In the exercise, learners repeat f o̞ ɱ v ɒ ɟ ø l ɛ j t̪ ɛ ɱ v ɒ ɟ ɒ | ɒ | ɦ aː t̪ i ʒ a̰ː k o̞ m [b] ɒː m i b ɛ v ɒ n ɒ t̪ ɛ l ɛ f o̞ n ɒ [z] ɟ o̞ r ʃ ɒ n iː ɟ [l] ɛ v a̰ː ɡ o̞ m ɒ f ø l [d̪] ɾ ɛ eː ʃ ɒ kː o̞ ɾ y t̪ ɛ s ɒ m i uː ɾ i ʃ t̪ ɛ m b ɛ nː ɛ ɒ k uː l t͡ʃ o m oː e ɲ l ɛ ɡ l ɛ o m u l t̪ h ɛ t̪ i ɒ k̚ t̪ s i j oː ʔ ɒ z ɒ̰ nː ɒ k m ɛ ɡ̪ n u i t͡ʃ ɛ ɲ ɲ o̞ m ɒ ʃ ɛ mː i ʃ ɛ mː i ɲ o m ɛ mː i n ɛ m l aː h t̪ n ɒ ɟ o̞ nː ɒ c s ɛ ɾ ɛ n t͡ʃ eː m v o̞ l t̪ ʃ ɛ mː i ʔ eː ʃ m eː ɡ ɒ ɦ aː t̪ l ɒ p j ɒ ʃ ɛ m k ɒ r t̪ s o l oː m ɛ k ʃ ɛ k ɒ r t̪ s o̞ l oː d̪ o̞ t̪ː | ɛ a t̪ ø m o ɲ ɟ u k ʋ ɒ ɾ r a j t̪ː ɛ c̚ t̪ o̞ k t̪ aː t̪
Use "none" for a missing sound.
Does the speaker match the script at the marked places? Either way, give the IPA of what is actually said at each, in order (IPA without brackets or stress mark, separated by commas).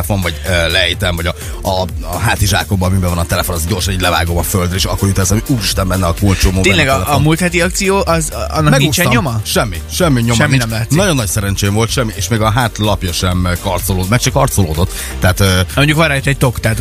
b, z, l, d̪